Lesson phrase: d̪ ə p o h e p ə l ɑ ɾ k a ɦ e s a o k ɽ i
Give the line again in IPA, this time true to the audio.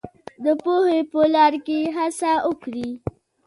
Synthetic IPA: d̪ ə p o h e p ə l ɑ ɾ k e ɦ a s a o k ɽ i